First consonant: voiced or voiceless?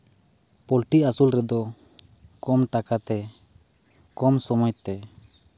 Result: voiceless